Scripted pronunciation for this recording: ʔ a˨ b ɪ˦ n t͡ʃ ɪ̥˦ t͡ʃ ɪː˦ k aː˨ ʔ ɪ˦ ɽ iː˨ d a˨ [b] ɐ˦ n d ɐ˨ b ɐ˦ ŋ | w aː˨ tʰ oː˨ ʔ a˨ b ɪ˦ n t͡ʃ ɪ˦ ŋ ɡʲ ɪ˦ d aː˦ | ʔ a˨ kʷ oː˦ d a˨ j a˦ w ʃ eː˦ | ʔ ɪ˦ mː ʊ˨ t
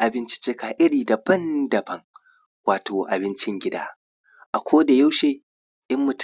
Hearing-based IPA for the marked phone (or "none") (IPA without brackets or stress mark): b